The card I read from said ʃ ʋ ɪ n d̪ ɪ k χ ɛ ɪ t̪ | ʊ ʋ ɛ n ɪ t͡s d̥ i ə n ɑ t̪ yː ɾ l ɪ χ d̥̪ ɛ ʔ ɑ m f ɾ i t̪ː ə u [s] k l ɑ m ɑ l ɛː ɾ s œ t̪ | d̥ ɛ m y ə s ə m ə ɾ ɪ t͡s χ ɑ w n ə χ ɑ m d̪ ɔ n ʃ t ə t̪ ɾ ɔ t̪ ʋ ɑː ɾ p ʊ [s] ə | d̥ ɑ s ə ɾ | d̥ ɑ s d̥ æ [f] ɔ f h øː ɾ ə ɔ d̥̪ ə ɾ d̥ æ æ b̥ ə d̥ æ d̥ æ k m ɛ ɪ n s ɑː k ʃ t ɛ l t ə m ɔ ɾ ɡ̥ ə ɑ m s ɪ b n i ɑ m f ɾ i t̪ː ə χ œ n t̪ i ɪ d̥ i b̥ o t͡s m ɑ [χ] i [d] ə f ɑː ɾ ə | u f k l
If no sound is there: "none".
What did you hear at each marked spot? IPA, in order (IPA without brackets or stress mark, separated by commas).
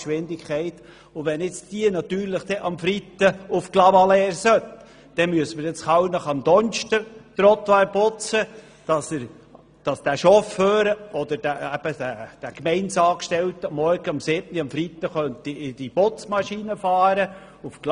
f, t͡s, ʃ, ʃ, n